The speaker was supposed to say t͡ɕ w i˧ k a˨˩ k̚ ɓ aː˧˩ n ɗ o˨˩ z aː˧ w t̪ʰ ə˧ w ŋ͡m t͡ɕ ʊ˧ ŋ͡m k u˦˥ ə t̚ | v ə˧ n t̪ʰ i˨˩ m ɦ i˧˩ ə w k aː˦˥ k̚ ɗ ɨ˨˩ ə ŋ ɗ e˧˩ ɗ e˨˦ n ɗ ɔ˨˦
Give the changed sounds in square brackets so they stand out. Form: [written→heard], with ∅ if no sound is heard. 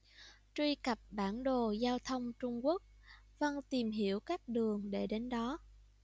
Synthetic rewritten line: t͡ɕ w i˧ k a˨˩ [k̚→p̚] ɓ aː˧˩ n ɗ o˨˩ z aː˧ w t̪ʰ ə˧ w ŋ͡m t͡ɕ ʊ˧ ŋ͡m k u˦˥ ə [t̚→k̚] | v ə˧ n [t̪ʰ→t̪] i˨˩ m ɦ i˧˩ ə w k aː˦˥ k̚ ɗ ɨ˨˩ ə ŋ ɗ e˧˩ ɗ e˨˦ n ɗ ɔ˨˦